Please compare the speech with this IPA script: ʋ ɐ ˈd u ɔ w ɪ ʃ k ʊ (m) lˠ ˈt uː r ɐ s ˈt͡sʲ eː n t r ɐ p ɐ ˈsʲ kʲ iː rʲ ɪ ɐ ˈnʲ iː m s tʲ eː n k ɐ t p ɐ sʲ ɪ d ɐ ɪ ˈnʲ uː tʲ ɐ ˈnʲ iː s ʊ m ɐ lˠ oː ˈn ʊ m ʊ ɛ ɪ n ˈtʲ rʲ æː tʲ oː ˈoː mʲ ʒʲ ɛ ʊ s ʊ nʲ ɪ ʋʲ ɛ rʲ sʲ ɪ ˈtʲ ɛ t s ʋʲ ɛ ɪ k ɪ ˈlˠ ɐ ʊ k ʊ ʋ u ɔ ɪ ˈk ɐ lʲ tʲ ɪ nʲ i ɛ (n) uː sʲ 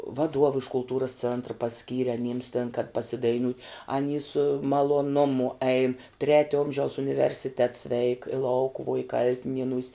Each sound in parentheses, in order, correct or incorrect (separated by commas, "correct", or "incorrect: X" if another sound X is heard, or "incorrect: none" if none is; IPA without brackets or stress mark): incorrect: none, correct